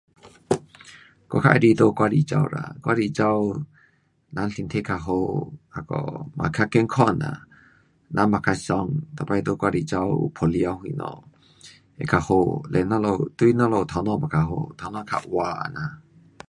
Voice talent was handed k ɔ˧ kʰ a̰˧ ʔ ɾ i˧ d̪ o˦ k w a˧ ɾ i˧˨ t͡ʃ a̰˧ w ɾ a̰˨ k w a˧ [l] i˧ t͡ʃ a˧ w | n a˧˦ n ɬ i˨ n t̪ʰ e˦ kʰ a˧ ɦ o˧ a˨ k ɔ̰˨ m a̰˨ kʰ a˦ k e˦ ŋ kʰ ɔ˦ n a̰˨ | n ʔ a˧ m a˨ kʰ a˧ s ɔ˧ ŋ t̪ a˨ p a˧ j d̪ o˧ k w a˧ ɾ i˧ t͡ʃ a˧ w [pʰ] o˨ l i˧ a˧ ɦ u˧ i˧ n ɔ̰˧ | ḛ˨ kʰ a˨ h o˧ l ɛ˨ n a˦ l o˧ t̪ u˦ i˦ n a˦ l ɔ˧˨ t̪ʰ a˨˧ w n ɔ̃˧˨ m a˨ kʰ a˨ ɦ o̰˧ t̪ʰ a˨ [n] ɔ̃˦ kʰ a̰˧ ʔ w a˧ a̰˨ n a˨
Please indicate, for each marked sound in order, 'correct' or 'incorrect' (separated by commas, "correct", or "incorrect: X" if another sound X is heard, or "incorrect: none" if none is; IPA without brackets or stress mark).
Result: incorrect: ɾ, correct, correct